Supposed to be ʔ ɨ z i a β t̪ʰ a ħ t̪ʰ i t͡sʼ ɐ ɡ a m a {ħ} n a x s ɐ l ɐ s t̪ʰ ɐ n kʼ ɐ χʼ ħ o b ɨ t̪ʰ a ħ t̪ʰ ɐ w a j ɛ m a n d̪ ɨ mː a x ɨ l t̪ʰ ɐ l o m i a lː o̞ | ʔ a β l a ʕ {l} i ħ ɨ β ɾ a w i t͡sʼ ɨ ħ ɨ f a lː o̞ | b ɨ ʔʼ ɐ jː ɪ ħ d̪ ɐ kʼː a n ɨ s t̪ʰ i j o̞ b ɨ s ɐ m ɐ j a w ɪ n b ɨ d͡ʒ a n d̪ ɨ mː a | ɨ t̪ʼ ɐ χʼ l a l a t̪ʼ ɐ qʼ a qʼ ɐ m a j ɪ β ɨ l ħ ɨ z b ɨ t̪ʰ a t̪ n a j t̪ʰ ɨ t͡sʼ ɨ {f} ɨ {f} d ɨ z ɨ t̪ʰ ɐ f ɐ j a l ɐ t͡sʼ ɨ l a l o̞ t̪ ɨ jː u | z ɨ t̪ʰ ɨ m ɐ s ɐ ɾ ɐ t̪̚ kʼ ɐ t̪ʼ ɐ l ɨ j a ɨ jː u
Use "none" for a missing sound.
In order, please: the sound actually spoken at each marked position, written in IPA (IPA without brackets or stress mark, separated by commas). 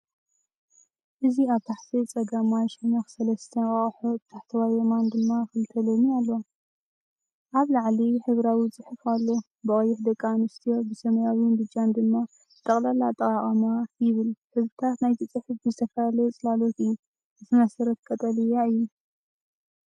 ʃ, l, ħ, f